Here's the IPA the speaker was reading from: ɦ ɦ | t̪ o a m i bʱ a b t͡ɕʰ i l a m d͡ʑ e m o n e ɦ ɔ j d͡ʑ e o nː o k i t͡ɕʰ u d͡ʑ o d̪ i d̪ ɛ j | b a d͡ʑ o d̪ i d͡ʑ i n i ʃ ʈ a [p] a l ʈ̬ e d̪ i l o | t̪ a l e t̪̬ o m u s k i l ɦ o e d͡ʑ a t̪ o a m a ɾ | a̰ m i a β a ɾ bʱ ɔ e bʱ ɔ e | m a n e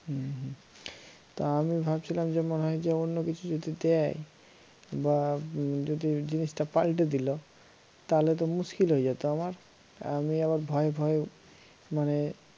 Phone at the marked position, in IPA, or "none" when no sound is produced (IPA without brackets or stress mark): p